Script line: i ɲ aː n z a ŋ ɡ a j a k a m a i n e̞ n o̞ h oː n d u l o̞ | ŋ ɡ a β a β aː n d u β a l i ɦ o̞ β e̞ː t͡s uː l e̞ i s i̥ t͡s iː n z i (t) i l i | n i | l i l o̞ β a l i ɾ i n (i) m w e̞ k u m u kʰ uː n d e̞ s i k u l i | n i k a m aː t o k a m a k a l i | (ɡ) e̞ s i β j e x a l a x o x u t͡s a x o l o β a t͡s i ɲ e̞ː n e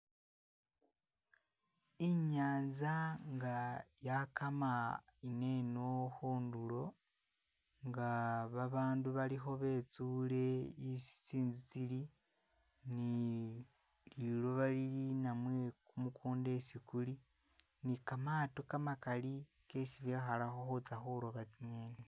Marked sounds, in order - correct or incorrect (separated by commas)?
incorrect, incorrect, incorrect